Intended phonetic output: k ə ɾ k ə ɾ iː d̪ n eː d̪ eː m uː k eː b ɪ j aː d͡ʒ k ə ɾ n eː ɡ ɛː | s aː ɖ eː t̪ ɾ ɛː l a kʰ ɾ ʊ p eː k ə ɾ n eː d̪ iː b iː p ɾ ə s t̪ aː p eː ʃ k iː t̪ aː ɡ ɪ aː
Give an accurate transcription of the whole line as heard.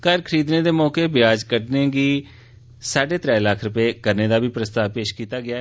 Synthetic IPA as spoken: k ə ɾ kʰ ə ɾ iː d̪ n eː d̪ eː m ɔː k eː b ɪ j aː d͡ʒ k ə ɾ n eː ɡ iː | s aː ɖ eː t̪ ɾ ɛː l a kʰ ɾ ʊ p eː k ə ɾ n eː d̪ aː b iː p ɾ ə s t̪ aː p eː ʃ k iː t̪ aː ɡ ɪ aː